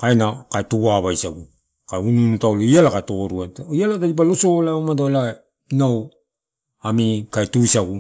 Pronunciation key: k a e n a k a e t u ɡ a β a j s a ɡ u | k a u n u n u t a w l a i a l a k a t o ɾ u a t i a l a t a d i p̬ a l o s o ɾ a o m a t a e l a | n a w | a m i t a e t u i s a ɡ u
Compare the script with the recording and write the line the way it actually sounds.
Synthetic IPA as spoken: k a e n a k a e t u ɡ a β a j s a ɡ u | k a u n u n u t a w l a i a l a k a t o ɾ u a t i a l a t a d i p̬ a l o s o l a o m a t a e l a | n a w | a m i k a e t u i s a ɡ u